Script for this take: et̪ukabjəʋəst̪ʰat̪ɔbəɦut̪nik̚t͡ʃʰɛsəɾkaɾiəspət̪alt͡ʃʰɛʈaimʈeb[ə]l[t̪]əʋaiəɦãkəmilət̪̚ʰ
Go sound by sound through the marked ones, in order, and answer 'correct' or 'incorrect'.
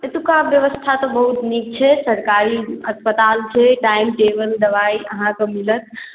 correct, incorrect

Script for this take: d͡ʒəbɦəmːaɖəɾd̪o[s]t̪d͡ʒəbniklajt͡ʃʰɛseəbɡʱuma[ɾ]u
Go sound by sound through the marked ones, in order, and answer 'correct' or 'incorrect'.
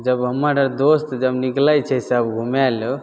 correct, incorrect

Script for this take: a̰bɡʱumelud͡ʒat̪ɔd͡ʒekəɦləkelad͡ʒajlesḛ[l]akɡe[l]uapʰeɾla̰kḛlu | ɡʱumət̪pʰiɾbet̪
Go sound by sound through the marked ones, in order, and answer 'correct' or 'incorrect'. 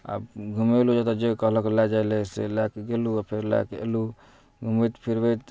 correct, correct

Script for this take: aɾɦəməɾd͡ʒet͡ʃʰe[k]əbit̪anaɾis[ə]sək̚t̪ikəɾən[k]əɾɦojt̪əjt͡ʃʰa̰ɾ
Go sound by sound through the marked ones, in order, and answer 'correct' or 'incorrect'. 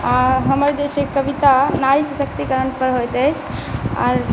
correct, correct, incorrect

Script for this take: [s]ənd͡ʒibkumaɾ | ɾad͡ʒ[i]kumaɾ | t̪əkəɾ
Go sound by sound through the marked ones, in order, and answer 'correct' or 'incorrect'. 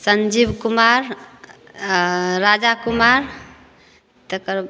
correct, incorrect

